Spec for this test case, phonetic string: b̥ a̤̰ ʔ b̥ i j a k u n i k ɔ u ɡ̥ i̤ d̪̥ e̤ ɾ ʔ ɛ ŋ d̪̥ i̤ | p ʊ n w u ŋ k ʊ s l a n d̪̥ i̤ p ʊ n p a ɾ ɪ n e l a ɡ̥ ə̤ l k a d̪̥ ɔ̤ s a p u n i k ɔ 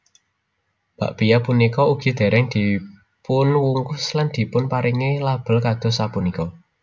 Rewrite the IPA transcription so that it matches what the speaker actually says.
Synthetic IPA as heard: b̥ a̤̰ ʔ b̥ i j a p u n i k ɔ u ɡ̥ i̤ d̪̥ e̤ ɾ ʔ ɛ ŋ d̪̥ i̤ | p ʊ n w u ŋ k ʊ s l a n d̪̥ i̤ p ʊ n p a ɾ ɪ ŋ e l a b̥ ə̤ l k a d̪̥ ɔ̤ s a p u n i k ɔ